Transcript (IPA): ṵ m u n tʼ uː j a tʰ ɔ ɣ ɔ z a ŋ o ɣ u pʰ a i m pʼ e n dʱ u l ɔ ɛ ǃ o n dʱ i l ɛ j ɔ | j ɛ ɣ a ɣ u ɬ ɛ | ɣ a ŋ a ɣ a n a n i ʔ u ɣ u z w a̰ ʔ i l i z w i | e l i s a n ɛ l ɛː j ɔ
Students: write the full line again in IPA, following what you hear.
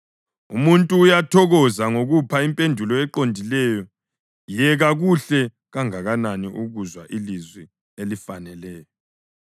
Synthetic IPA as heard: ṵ m u n tʼ uː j a tʰ ɔ ɣ ɔ z a ŋ o ɣ u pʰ a i m pʼ e n dʱ u l ɔ ɛ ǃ o n dʱ i l ɛ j ɔ | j ɛ ɣ a ɣ u ɬ ɛ | ɣ a ŋ a ɣ a n a n i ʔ u ɣ u z w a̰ ʔ i l i z w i | e l i f a n ɛ l ɛː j ɔ